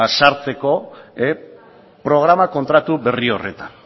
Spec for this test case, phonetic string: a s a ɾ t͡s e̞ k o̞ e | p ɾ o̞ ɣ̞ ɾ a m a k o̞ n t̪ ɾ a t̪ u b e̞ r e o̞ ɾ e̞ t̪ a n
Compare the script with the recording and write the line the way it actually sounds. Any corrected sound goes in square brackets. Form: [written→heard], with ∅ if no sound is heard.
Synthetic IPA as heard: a s a ɾ t͡s e̞ k o̞ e | p ɾ o̞ ɣ̞ ɾ a m a k o̞ n t̪ ɾ a t̪ u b e̞ r [e→i] o̞ [ɾ→r] e̞ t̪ a n